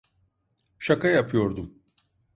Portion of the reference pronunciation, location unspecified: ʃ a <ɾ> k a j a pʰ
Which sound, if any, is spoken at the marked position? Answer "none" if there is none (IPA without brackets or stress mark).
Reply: none